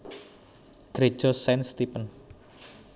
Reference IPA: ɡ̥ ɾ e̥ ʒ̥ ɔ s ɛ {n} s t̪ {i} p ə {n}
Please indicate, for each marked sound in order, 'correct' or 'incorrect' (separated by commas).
correct, correct, correct